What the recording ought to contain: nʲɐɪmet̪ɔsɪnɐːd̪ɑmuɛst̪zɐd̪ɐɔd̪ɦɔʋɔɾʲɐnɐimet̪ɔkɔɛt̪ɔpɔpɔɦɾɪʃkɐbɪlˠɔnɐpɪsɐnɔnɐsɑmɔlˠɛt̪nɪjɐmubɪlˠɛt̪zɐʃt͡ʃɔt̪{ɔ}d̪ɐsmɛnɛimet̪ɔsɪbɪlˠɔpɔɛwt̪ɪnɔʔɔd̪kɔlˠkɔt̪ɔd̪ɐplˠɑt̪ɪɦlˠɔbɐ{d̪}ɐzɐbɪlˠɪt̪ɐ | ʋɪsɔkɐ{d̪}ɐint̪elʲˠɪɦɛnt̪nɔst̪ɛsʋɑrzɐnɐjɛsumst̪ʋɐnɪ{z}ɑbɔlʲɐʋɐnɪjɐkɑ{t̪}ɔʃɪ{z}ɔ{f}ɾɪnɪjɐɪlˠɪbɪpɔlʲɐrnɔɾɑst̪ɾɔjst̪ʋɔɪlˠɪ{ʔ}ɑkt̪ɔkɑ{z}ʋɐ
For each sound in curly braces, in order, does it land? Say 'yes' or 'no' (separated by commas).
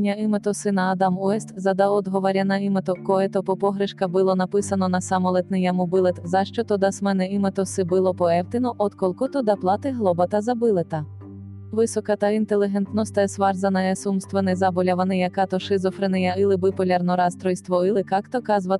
yes, no, no, yes, yes, yes, yes, no, yes